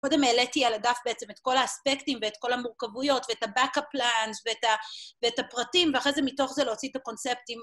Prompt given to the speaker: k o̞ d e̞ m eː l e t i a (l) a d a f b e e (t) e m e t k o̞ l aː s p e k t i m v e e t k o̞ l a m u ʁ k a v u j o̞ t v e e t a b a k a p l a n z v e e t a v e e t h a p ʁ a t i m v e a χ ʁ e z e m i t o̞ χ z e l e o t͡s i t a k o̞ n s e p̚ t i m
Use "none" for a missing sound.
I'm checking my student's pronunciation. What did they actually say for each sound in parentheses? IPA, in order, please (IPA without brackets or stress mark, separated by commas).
l, t͡s